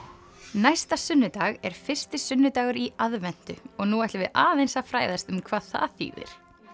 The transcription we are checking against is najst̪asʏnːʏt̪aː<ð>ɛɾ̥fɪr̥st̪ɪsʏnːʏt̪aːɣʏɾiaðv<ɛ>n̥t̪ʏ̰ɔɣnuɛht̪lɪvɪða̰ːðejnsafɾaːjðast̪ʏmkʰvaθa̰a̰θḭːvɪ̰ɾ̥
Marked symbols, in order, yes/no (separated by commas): no, yes